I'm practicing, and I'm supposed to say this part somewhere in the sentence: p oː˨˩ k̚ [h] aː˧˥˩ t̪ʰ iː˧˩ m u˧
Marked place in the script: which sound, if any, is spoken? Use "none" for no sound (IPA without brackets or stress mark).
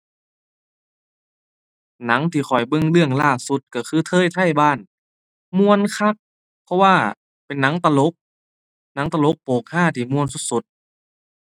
h